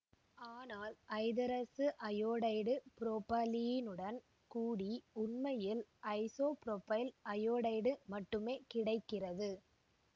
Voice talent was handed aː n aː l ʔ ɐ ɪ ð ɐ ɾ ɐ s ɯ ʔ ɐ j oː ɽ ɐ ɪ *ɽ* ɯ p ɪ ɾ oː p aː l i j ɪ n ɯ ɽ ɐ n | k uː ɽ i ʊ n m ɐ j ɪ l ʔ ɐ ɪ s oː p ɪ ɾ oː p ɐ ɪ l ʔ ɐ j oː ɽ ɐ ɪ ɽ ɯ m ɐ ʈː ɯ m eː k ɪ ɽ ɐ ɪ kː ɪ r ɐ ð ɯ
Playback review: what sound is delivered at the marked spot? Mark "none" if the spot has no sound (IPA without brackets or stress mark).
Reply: ɽ